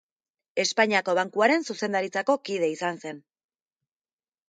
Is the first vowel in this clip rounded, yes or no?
no